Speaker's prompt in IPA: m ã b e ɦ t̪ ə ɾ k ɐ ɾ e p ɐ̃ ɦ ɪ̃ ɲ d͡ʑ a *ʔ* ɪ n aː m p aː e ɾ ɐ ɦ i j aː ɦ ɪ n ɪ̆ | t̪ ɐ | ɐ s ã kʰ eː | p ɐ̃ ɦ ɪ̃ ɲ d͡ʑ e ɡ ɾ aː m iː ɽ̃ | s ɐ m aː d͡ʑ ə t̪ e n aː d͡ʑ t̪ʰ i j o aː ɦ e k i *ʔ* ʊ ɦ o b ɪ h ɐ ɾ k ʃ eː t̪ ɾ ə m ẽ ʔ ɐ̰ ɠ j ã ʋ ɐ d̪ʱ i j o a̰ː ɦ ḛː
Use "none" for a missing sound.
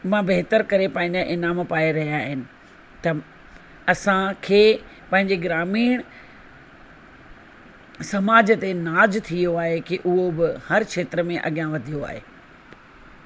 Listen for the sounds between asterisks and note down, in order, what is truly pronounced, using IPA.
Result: ʔ, ʔ

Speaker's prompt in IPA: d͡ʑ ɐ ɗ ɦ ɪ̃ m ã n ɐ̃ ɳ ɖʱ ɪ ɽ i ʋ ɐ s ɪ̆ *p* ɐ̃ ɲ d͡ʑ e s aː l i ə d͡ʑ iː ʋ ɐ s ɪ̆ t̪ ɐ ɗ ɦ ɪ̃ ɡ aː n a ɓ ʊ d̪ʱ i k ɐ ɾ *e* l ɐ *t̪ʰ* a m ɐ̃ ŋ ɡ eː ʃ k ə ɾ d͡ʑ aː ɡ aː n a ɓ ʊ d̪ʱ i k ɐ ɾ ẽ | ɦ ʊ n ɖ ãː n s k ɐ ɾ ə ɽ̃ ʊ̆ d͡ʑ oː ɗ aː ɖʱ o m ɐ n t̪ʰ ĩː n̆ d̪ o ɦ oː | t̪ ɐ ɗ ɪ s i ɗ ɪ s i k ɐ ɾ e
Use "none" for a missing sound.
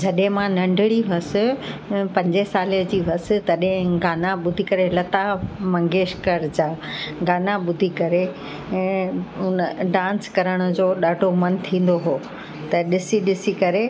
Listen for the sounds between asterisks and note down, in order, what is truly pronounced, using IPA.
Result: p, e, t̪

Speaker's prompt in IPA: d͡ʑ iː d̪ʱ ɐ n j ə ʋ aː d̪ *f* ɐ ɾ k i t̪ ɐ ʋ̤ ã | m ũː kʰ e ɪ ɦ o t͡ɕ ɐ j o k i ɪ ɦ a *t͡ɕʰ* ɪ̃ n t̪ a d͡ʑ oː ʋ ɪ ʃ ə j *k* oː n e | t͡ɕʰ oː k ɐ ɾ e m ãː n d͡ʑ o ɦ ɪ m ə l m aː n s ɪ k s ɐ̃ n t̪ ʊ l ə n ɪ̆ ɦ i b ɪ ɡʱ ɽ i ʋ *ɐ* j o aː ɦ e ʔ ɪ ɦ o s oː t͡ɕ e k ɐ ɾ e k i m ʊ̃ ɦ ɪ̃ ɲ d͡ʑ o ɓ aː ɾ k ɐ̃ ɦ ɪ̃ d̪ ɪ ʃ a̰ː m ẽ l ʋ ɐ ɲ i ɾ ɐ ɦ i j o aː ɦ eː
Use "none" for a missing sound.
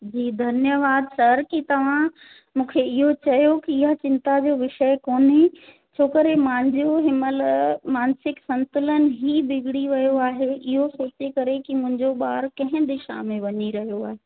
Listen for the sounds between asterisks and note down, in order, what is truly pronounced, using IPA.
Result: s, t͡ɕ, k, ɐ

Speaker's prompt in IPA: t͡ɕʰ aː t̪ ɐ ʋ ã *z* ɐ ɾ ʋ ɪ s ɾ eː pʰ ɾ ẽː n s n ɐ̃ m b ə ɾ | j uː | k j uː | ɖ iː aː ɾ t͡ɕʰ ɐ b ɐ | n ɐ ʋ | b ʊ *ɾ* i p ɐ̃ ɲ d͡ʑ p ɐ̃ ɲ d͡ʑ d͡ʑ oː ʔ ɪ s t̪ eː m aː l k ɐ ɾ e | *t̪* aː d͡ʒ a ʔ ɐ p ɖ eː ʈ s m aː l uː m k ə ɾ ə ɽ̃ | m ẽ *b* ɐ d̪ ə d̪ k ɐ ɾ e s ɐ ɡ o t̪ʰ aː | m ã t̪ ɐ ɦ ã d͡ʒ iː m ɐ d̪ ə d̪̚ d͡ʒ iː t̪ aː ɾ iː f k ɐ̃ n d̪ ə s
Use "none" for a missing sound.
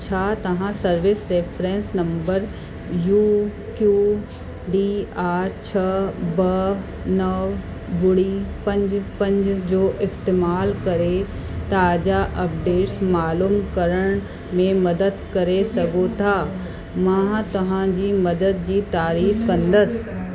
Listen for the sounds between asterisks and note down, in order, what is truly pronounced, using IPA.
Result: s, ɽ, t̪, m

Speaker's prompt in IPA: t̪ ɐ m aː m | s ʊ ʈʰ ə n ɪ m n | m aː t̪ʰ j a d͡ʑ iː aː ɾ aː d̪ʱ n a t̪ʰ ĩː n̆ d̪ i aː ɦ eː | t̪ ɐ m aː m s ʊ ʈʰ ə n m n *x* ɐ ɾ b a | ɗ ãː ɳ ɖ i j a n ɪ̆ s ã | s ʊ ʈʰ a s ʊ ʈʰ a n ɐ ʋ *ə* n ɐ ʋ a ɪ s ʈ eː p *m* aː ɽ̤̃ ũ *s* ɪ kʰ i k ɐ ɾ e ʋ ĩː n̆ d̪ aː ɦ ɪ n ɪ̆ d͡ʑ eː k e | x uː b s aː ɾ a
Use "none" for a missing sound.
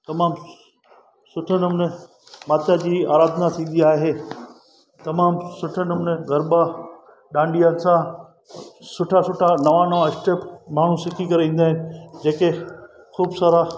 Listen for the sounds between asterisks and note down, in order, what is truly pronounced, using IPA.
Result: ɣ, a, m, s

